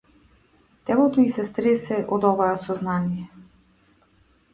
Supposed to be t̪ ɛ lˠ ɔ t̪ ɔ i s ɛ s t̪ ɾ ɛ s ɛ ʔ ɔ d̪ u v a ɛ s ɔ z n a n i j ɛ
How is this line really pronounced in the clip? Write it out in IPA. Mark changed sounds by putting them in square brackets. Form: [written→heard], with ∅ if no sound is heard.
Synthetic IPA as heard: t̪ ɛ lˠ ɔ t̪ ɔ i s ɛ s t̪ ɾ ɛ s ɛ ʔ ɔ d̪ [u→ɔ] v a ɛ s ɔ z n a n i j ɛ